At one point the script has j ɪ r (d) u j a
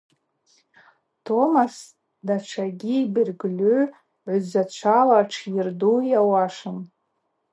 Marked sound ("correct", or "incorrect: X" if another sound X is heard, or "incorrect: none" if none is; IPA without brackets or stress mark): correct